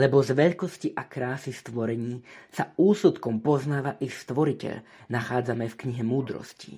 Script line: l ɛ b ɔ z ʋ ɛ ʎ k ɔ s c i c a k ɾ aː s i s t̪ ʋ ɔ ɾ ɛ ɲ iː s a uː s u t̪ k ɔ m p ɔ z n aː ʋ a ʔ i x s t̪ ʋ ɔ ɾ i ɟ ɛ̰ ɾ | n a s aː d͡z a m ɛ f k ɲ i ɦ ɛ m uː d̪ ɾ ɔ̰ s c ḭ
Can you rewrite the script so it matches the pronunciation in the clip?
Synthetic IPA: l ɛ b ɔ z ʋ ɛ ʎ k ɔ s c i ʔ a k ɾ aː s i s t̪ ʋ ɔ ɾ ɛ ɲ iː s a uː s u t̪ k ɔ m p ɔ z n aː ʋ a ʔ i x s t̪ ʋ ɔ ɾ i c ɛ̰ ʎ | n a x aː d͡z a m ɛ f k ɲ i ɦ ɛ m uː d̪ ɾ ɔ̰ s c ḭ